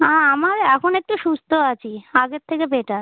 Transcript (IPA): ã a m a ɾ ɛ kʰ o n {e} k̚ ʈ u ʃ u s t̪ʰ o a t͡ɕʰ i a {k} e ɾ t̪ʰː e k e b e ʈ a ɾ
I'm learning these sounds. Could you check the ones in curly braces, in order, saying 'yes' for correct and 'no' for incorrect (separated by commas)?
yes, no